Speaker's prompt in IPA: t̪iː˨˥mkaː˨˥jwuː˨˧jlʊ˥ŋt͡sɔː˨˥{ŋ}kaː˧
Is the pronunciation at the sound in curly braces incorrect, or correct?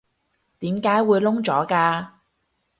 incorrect: none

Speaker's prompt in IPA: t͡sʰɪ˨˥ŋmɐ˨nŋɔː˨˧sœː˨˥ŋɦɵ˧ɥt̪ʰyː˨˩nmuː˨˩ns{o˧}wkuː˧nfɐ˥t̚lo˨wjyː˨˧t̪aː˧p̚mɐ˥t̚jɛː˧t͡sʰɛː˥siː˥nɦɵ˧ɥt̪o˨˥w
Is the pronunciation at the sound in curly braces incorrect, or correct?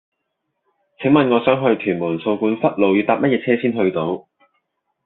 correct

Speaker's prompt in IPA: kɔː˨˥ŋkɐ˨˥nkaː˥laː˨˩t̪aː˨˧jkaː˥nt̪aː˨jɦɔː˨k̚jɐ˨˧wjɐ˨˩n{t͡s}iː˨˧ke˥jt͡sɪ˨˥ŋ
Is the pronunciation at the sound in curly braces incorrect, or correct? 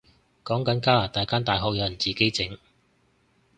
correct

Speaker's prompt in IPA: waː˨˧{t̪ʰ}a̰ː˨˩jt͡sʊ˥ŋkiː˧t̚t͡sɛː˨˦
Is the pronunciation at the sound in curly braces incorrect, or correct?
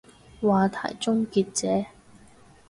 correct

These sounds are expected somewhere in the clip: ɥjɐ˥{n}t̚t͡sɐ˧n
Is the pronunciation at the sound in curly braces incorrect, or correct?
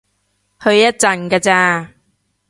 incorrect: none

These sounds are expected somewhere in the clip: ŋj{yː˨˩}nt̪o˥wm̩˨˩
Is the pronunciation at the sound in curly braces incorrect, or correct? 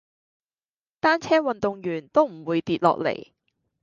correct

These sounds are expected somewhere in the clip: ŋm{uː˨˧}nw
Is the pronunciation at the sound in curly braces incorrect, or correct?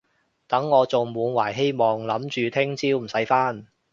correct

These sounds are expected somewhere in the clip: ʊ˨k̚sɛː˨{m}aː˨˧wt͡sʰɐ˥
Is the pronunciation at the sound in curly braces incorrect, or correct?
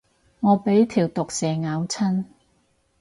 incorrect: ŋ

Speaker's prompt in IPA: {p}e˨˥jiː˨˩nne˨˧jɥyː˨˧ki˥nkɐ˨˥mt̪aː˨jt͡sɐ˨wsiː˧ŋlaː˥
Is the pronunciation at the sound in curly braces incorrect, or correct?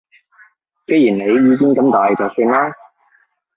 incorrect: k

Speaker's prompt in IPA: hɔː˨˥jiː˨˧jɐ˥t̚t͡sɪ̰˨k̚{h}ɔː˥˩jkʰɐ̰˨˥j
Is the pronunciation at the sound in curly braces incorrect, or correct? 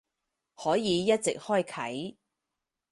correct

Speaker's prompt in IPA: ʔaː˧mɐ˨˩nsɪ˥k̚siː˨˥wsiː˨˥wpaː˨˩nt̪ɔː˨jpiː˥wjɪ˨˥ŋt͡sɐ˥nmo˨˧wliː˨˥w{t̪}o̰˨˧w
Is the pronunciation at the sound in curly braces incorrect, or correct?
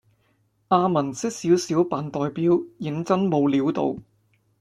correct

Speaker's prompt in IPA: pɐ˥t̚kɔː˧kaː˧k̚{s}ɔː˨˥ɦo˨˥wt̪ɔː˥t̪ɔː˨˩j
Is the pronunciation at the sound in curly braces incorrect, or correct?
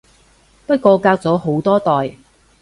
incorrect: t͡s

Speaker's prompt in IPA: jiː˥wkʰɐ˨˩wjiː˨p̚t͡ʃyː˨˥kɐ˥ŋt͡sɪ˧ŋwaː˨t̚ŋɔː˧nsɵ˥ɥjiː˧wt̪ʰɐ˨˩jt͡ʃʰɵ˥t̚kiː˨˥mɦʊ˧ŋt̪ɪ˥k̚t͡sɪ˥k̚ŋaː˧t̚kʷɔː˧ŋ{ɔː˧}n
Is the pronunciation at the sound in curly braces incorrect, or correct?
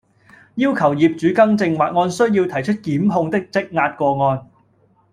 correct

